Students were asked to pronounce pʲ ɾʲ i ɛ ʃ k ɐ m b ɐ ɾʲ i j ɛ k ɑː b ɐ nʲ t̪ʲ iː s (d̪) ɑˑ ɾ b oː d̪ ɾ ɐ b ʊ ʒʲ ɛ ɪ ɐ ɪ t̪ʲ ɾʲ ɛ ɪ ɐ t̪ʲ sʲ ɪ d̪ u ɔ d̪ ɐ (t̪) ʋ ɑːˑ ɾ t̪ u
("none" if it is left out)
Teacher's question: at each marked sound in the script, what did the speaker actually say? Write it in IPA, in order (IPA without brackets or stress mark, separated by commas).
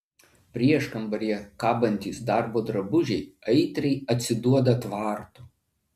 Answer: d̪, t̪